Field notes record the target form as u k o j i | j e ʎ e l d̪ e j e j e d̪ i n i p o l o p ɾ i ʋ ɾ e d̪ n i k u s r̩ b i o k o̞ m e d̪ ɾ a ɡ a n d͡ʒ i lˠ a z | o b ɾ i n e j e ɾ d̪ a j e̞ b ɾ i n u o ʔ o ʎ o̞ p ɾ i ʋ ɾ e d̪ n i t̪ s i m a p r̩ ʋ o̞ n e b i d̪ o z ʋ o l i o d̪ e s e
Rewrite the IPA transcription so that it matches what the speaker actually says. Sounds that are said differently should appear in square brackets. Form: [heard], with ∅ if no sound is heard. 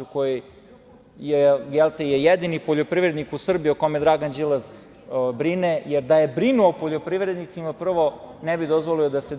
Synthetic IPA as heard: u k o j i | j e [j] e l [t̪] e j e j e d̪ i n i p o [ʎ] o p ɾ i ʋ ɾ e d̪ n i k u s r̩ b i o k o̞ m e d̪ ɾ a ɡ a n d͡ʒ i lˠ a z | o b ɾ i n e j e ɾ d̪ a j e̞ b ɾ i n u o [p] o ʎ o̞ p ɾ i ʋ ɾ e d̪ n i t̪ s i m a p r̩ ʋ o̞ n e b i d̪ o z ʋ o l i o d̪ [a] s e